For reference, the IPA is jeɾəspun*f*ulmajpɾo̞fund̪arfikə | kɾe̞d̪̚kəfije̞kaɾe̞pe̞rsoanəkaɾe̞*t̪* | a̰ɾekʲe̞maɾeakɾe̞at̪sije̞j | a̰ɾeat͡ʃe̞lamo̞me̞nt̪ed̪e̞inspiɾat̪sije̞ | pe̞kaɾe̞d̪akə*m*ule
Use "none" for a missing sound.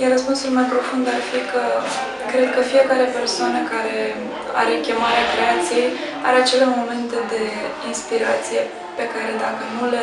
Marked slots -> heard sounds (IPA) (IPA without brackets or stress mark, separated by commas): s, none, n